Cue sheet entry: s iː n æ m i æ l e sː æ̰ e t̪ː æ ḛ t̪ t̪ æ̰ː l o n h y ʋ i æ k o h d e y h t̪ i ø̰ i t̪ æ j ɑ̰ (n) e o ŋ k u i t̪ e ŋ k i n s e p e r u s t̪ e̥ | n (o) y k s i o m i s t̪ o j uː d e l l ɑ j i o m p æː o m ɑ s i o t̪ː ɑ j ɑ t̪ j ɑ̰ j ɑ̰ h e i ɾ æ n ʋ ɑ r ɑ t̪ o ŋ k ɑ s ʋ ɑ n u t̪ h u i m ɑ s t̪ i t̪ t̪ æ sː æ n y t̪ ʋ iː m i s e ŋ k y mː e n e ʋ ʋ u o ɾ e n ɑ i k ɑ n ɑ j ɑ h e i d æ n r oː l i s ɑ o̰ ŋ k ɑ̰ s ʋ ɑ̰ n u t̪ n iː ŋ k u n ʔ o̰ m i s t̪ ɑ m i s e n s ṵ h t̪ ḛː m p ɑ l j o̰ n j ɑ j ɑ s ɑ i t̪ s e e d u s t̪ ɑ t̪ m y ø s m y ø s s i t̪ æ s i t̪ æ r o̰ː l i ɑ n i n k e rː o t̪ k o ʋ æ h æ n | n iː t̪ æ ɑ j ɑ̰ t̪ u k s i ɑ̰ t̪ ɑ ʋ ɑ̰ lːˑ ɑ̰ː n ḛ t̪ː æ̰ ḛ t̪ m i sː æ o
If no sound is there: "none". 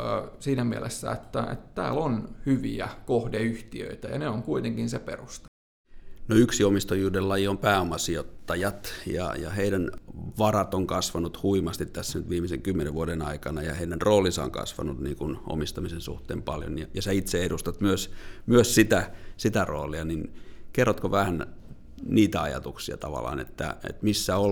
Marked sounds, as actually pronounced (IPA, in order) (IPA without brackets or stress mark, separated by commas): n, o